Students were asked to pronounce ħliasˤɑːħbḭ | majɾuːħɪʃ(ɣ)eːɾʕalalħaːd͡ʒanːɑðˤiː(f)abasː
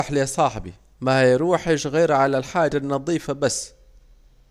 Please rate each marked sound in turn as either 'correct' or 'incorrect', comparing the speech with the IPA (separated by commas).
correct, correct